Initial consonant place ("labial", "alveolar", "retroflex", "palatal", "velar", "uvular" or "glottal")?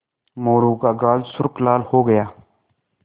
labial